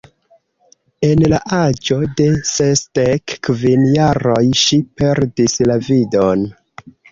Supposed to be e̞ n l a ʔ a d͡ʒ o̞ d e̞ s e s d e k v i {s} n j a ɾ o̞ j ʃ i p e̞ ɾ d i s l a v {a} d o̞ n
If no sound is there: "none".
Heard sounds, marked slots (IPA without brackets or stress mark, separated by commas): none, i